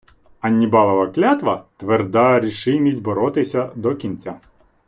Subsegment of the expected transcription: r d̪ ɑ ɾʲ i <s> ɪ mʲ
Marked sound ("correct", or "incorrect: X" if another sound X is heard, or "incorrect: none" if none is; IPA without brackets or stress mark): incorrect: ʃ